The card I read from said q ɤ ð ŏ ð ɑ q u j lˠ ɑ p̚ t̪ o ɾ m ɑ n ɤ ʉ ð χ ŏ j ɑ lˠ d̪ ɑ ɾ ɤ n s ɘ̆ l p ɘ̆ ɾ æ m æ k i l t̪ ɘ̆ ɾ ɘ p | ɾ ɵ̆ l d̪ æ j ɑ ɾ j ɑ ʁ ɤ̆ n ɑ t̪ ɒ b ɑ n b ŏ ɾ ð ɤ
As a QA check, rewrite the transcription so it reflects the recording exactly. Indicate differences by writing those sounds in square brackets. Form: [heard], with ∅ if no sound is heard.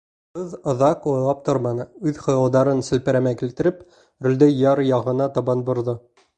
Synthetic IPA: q ɤ ð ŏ ð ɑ q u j lˠ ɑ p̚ t̪ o ɾ m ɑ n ɤ ʉ ð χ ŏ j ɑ lˠ d̪ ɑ ɾ ɤ n s ɘ̆ l p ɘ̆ ɾ æ m æ k i l t̪ ɘ̆ ɾ ɘ p | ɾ ɵ̆ l d̪ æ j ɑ ɾ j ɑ ʁ ɤ̆ n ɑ t̪ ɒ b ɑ n b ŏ ɾ ð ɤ